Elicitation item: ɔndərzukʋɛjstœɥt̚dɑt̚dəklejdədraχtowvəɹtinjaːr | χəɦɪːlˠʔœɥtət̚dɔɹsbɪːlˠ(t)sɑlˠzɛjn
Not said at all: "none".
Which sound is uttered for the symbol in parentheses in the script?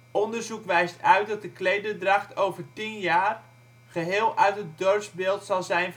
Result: t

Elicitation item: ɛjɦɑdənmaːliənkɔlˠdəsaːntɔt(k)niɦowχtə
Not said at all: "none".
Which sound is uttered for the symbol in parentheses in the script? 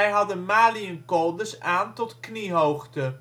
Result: k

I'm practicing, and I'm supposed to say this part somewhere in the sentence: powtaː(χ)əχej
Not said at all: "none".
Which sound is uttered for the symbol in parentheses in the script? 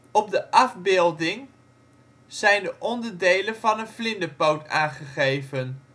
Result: χ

